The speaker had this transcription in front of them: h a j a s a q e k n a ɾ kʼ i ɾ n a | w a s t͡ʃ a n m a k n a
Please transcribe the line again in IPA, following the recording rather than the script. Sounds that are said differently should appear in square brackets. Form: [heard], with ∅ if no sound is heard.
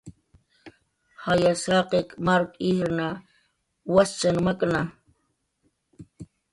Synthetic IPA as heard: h a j a s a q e k [m] a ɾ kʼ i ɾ n a | w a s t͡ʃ a n m a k n a